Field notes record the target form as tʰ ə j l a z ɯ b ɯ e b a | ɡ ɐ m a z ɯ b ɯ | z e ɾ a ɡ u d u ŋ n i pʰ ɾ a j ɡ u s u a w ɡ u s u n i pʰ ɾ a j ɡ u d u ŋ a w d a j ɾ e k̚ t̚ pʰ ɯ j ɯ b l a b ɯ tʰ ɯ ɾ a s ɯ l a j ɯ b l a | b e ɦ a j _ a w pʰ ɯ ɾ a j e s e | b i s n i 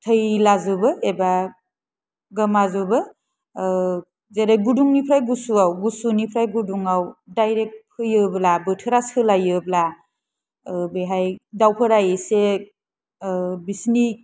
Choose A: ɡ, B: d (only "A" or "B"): B